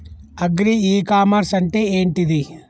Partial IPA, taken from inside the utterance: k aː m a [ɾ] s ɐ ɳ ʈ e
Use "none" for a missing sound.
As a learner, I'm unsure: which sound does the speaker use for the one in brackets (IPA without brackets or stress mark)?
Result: ɾ